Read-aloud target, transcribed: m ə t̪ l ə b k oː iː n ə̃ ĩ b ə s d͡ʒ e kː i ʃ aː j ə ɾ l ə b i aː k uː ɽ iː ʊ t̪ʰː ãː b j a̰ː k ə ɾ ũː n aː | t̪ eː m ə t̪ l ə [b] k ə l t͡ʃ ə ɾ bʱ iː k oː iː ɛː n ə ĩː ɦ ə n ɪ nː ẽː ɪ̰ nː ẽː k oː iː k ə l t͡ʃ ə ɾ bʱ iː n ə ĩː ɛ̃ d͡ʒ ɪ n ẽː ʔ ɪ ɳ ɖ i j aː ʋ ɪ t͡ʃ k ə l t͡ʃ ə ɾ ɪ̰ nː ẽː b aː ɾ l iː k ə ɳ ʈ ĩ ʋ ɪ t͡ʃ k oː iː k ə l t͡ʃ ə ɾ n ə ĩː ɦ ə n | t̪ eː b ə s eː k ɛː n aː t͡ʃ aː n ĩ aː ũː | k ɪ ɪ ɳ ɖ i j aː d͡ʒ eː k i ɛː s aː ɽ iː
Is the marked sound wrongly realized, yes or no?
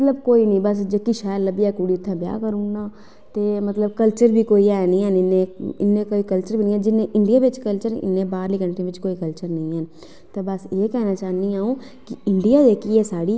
no